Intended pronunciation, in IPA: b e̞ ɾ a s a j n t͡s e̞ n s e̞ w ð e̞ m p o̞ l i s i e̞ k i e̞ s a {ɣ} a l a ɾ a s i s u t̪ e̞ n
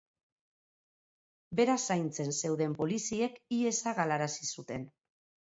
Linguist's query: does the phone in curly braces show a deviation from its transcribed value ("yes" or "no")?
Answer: no